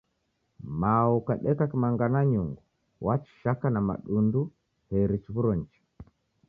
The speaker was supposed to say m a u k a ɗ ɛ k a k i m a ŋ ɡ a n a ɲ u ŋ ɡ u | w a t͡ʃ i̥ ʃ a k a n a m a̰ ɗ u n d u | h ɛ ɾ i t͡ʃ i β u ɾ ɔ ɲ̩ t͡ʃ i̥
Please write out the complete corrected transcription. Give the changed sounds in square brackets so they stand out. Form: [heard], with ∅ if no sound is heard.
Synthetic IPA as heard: m a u k a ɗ ɛ k a k i m a ŋ ɡ a n a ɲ u ŋ ɡ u | w a t͡ʃ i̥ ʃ a k a n a m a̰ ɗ u n d u | h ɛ ɾ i t͡ʃ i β u ɾ ɔ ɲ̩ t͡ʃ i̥